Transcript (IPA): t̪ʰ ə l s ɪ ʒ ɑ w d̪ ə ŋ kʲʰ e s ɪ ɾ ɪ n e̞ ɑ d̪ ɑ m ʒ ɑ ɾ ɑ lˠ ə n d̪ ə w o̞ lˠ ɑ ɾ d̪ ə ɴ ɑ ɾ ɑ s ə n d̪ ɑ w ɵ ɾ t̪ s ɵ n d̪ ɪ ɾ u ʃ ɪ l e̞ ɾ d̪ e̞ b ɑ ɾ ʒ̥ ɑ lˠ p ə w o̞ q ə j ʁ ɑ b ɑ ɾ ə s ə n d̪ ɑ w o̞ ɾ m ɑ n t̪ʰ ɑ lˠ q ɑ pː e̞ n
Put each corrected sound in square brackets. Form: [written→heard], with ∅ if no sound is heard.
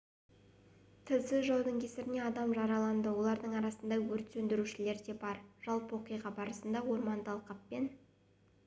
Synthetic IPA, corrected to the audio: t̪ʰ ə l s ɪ ʒ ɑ w d̪ ə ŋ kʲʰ e s ɪ ɾ ɪ n e̞ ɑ d̪ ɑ m ʒ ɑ ɾ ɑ lˠ [ə→ɑ] n d̪ ə w o̞ lˠ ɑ ɾ d̪ ə ɴ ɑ ɾ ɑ s ə n d̪ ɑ w ɵ ɾ t̪ s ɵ n d̪ ɪ ɾ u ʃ ɪ l e̞ ɾ d̪ e̞ b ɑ ɾ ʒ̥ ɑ lˠ p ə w o̞ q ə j ʁ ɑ b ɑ ɾ ə s ə n d̪ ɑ w o̞ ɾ m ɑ n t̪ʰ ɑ lˠ q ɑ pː e̞ n